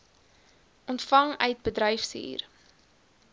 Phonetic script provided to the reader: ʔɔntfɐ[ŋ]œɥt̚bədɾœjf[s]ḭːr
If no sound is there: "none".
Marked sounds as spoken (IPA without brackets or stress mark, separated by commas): ŋ, s